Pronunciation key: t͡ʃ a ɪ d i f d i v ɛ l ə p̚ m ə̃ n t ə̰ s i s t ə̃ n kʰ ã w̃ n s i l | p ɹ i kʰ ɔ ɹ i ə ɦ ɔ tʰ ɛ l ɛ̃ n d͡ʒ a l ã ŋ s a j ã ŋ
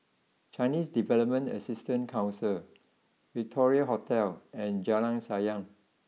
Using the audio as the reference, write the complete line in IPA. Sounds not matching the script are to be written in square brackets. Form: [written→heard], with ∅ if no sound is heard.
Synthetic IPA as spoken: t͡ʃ a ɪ [d→n] i [f→s] d i v ɛ l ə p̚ m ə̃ n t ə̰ s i s t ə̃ n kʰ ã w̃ n s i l | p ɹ i [kʰ→tʰ] ɔ ɹ i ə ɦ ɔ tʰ ɛ l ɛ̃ n d͡ʒ a l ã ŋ s a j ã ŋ